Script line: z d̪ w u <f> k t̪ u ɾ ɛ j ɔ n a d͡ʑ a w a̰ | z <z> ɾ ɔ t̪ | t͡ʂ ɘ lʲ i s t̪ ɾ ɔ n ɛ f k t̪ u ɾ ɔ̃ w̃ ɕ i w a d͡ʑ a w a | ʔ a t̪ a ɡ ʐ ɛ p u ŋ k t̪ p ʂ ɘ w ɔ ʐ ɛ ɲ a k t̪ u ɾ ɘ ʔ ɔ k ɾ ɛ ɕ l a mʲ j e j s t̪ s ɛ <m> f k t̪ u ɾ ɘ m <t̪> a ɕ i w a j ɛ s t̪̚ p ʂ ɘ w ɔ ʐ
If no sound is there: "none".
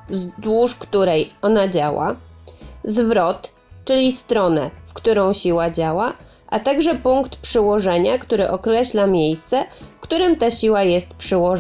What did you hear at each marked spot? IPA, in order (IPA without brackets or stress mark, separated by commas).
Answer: ʂ, v, none, t̪